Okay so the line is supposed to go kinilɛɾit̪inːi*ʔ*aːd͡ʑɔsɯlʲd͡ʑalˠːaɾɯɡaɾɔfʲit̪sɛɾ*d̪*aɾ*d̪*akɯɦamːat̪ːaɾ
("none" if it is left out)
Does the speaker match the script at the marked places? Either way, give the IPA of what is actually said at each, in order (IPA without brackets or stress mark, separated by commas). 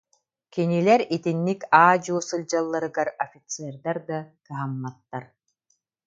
k, d̪, d̪